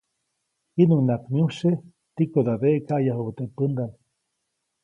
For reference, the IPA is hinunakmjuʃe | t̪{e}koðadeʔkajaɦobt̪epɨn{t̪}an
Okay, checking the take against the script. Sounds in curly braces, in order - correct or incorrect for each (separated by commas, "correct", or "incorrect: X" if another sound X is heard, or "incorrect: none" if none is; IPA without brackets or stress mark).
incorrect: i, incorrect: d̪